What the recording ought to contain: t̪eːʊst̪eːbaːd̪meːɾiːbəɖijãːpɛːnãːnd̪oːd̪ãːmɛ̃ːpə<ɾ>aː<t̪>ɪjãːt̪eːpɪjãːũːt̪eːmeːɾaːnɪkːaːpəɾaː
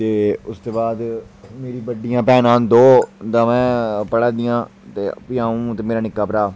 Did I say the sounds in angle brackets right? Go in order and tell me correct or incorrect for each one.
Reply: incorrect: ɽ, incorrect: d̪

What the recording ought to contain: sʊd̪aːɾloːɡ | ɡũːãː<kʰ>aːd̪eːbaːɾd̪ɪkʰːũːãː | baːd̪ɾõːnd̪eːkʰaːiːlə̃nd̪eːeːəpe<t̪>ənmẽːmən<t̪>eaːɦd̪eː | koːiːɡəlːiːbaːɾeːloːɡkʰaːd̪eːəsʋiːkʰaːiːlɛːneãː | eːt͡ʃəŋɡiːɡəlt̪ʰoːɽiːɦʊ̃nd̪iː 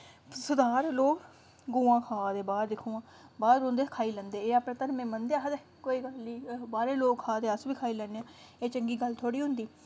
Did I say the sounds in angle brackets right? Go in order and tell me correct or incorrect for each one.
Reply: correct, correct, incorrect: d̪

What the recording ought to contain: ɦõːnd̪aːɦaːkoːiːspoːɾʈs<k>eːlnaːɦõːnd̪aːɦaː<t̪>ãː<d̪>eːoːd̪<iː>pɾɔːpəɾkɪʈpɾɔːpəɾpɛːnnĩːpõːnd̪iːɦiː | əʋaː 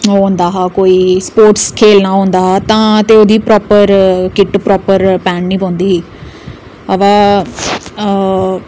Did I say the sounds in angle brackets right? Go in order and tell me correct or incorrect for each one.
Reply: incorrect: kʰ, correct, incorrect: t̪, correct

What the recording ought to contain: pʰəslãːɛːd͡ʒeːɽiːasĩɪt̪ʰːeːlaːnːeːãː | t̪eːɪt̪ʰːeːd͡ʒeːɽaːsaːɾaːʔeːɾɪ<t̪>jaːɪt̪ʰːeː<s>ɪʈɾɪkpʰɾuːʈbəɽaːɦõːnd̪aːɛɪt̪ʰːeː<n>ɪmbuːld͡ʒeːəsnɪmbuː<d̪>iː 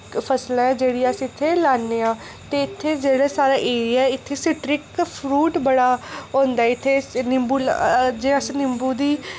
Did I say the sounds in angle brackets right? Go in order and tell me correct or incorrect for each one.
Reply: incorrect: none, correct, correct, correct

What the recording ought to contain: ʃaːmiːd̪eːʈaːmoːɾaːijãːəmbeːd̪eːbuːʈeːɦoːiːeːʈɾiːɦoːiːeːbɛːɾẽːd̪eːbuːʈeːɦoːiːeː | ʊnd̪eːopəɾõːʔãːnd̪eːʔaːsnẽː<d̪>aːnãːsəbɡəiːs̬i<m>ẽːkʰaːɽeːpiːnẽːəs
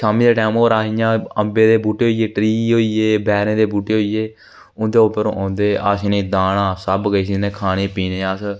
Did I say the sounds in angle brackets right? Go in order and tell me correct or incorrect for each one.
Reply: correct, incorrect: n

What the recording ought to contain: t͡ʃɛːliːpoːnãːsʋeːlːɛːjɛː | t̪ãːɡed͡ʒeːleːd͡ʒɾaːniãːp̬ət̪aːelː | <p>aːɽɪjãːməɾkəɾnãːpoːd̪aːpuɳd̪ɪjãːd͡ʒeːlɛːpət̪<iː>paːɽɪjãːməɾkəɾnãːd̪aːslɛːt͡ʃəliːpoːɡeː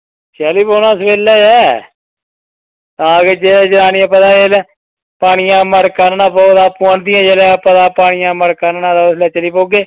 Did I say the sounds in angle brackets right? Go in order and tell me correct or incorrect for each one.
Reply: correct, incorrect: aː

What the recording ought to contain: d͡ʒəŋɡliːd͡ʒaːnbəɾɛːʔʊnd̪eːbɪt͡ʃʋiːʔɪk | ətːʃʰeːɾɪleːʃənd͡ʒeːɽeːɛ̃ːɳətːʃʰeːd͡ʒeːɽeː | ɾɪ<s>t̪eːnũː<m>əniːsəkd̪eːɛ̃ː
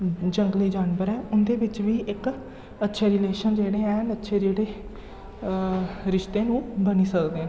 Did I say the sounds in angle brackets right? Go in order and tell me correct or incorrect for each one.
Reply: incorrect: ʃ, incorrect: b

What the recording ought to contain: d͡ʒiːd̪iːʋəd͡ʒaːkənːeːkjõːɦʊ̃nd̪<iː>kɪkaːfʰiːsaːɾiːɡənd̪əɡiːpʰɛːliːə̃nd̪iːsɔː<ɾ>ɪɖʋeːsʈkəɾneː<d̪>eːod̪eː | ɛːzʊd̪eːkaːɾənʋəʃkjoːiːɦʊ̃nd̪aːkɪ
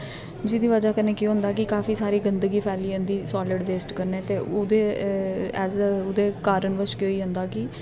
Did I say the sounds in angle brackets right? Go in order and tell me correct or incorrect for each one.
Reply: incorrect: aː, incorrect: l, incorrect: t̪

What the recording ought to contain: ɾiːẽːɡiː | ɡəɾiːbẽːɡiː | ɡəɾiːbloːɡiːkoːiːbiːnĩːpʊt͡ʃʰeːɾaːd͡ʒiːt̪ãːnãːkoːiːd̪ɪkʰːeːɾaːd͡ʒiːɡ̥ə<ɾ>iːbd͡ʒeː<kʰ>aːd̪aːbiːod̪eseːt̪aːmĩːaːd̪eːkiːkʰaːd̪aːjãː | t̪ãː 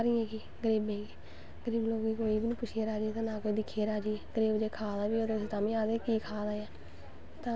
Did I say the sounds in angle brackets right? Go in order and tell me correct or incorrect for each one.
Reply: correct, correct

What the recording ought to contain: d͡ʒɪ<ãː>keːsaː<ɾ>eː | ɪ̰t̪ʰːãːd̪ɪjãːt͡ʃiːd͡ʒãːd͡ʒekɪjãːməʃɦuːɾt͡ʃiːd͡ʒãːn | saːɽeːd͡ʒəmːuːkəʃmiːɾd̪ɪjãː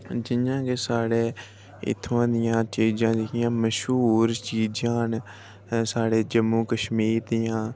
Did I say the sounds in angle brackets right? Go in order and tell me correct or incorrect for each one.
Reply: correct, incorrect: ɽ

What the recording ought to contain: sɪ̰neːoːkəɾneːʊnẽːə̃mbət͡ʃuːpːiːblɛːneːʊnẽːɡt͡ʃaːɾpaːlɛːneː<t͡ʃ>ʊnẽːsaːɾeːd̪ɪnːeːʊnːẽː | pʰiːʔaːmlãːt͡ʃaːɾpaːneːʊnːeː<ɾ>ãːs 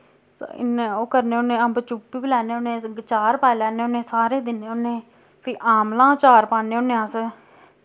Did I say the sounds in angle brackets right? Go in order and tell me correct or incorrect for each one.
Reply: incorrect: none, incorrect: none

